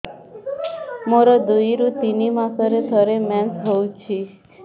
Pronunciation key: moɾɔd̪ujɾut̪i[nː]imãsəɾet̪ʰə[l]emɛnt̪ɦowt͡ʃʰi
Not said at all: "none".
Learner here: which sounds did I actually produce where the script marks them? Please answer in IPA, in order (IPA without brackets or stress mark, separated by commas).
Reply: n, ɾ